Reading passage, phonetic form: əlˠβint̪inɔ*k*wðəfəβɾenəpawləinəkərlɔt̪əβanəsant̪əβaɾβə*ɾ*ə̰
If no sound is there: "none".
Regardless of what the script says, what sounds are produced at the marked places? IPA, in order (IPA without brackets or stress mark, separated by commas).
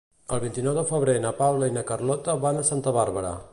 none, ɾ